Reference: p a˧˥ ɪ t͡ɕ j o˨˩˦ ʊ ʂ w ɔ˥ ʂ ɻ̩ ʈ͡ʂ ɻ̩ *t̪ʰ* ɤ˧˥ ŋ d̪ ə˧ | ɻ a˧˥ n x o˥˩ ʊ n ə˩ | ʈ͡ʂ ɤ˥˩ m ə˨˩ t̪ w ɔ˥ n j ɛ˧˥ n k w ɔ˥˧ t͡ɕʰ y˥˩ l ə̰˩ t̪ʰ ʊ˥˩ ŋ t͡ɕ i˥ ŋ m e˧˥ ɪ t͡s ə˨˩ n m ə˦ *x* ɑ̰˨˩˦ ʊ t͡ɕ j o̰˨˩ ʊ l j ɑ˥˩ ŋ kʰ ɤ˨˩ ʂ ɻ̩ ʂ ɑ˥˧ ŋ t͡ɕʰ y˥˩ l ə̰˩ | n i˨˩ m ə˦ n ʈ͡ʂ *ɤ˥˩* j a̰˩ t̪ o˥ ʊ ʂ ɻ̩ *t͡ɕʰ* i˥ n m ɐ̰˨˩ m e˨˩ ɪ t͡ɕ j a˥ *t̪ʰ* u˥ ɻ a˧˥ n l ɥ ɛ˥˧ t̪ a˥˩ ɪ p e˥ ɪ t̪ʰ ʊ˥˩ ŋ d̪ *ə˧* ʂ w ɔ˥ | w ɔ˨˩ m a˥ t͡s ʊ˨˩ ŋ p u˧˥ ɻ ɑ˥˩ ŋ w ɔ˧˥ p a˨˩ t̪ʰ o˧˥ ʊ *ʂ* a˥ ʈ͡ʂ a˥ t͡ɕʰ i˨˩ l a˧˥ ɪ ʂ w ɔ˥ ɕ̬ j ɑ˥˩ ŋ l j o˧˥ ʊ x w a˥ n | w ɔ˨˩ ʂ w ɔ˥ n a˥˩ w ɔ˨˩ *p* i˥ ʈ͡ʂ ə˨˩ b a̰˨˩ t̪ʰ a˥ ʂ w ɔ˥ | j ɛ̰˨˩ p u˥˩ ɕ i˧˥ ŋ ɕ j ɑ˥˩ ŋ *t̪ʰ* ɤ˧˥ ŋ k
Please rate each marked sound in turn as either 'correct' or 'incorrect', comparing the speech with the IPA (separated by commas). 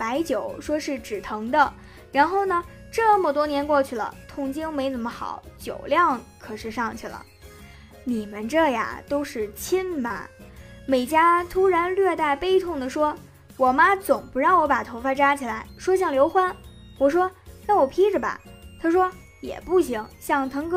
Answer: correct, correct, correct, correct, correct, incorrect, incorrect, incorrect, correct